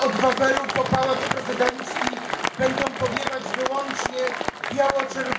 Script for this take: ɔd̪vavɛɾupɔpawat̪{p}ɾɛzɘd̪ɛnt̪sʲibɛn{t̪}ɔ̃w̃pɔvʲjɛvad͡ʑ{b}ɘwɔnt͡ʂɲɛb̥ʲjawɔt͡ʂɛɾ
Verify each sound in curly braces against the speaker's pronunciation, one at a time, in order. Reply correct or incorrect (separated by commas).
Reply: correct, incorrect, incorrect